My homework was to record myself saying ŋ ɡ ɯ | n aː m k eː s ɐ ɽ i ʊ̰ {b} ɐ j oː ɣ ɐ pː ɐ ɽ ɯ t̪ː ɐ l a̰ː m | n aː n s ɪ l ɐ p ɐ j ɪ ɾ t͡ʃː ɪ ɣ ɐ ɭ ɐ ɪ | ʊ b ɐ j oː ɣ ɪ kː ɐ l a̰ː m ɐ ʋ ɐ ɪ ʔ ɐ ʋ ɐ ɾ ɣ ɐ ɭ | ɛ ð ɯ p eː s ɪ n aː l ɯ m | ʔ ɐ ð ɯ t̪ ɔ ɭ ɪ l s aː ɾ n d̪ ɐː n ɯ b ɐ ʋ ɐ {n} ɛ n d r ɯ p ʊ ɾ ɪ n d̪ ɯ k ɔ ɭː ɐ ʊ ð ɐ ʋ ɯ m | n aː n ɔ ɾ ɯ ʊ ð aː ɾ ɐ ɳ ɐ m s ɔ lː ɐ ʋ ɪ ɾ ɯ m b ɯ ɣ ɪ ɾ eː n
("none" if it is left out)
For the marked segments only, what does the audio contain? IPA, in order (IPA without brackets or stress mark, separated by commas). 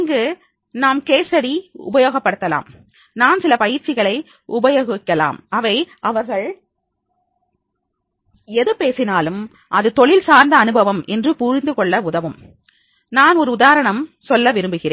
b, m